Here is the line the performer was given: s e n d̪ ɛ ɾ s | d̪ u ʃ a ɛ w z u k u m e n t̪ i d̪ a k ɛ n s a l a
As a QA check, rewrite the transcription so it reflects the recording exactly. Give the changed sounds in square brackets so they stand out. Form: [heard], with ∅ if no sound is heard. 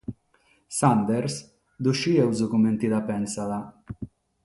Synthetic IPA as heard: s [a] n d̪ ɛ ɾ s | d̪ u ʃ [i] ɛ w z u k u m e n t̪ i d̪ a [p] ɛ n s a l a